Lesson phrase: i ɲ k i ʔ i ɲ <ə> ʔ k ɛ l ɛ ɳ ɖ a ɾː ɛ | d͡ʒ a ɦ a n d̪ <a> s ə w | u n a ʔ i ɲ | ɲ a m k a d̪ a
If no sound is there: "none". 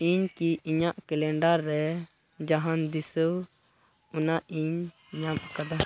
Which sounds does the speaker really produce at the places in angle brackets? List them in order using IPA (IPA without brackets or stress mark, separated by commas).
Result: a, i